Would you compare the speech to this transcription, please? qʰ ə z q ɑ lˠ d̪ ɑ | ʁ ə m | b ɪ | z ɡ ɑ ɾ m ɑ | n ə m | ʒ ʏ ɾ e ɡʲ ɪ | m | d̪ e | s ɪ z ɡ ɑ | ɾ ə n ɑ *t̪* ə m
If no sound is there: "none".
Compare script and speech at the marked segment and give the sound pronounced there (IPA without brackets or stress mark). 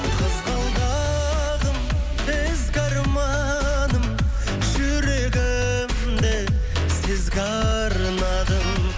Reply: d̪